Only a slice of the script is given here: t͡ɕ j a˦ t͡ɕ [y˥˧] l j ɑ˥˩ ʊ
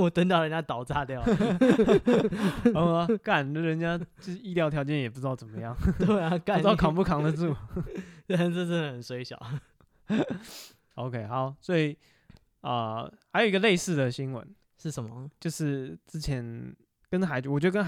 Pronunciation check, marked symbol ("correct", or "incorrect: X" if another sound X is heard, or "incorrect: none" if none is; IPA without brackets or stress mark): incorrect: i˥˧